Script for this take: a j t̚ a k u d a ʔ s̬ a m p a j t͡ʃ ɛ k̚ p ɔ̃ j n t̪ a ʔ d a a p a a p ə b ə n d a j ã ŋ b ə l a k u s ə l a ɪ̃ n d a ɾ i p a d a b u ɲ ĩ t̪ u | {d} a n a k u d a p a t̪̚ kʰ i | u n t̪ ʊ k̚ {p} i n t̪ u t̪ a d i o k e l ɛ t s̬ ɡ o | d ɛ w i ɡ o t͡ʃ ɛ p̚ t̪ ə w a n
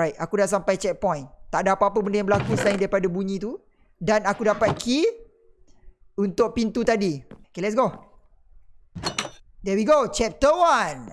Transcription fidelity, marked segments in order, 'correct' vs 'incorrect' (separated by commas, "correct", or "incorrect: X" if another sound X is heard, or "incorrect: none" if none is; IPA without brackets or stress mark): correct, correct